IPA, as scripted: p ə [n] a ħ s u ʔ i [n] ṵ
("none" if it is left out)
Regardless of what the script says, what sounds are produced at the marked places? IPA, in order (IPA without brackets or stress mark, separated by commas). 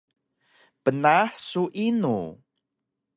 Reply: n, n